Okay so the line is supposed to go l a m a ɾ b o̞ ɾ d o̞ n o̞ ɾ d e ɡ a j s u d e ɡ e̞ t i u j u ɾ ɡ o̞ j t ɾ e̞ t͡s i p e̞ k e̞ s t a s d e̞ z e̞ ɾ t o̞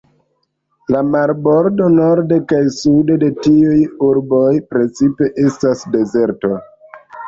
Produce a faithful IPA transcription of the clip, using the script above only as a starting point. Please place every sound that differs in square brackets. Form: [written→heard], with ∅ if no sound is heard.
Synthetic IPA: l a m a ɾ b o̞ ɾ d o̞ n o̞ ɾ d e [ɡ→k] a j s u d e [ɡ→d] e̞ t i u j u ɾ [ɡ→b] o̞ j [t→p] ɾ e̞ t͡s i p e̞ [k→ʔ] e̞ s t a s d e̞ z e̞ ɾ t o̞